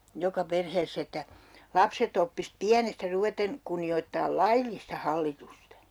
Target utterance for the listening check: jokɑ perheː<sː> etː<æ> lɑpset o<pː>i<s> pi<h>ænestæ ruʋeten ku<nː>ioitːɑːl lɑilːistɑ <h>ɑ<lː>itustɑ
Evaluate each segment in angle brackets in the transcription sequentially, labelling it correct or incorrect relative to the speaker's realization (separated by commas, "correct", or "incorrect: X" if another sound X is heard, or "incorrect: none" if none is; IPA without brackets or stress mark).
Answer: correct, correct, correct, correct, incorrect: none, correct, correct, correct